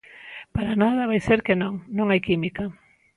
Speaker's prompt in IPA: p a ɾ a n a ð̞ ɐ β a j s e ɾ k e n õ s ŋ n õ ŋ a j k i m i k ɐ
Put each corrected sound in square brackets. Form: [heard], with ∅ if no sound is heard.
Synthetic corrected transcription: p a ɾ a n a ð̞ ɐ β a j s e ɾ k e n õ [∅] ŋ n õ ŋ a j k i m i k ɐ

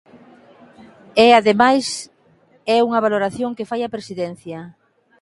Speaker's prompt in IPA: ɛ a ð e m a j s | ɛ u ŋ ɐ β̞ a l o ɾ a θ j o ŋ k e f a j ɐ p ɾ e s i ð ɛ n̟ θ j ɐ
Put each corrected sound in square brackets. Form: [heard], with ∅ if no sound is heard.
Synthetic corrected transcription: ɛ a ð e m a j s | ɛ u ŋ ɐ β̞ a l o ɾ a θ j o ŋ k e f a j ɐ p ɾ e s i ð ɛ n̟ θ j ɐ

